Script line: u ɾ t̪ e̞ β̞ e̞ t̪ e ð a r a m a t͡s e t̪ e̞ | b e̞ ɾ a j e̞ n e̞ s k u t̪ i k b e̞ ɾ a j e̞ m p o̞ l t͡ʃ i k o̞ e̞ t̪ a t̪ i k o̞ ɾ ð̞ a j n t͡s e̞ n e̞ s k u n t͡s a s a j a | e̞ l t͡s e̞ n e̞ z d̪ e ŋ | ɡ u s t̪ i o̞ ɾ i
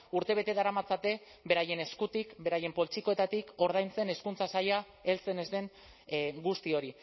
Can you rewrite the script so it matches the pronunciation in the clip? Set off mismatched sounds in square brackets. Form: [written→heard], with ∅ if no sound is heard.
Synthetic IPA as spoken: u ɾ t̪ e̞ β̞ e̞ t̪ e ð a [r→ɾ] a m a t͡s [e→a] t̪ e̞ | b e̞ ɾ a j e̞ n e̞ s k u t̪ i k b e̞ ɾ a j e̞ m p o̞ l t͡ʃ i k o̞ e̞ t̪ a t̪ i k o̞ ɾ ð̞ a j n t͡s e̞ n e̞ s k u n t͡s a s a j a | e̞ l t͡s e̞ n e̞ z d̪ e ŋ | ɡ u s t̪ i o̞ ɾ i